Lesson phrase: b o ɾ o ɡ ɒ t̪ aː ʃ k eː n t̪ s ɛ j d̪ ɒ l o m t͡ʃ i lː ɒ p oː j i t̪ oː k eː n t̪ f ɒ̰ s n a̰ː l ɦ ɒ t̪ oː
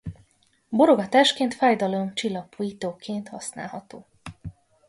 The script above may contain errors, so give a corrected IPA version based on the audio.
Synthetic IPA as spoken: b o ɾ o ɡ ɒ t̪ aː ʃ k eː n t̪ f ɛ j d̪ ɒ l o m t͡ʃ i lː ɒ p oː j i t̪ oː k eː n t̪ h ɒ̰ s n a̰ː l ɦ ɒ t̪ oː